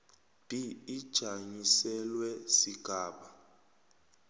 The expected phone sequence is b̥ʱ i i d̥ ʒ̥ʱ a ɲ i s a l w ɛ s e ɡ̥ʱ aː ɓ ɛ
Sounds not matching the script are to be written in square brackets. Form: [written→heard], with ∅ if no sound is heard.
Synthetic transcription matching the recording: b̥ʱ i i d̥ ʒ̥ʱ a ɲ i s [a→ɛ] l w ɛ s [e→i] ɡ̥ʱ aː ɓ [ɛ→a]